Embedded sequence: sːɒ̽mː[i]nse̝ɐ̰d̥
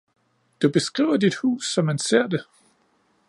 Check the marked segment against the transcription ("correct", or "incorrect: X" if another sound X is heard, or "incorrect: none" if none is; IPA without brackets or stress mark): incorrect: æ